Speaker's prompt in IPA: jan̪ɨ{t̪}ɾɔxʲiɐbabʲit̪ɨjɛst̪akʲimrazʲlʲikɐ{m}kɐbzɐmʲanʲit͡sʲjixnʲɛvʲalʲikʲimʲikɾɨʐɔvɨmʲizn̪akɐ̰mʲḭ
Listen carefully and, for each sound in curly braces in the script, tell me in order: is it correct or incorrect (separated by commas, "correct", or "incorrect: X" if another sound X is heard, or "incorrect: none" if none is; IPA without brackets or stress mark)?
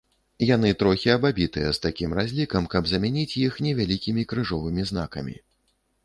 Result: correct, correct